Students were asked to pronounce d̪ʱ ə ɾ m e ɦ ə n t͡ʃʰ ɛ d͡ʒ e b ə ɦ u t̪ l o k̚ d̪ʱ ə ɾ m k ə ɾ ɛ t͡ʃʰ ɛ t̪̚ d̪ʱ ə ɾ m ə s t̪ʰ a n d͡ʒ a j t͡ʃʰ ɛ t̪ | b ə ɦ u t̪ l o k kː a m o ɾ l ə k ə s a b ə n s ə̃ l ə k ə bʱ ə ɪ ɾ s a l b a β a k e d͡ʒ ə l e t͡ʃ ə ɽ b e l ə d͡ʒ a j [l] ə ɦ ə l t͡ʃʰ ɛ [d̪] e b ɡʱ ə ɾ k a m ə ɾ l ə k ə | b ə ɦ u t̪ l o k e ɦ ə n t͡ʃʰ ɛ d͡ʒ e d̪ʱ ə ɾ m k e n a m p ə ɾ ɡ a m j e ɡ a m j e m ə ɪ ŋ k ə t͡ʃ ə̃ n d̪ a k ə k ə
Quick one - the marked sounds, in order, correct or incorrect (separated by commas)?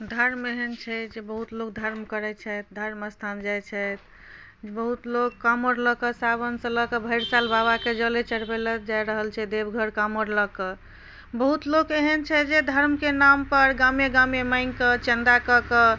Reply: incorrect, correct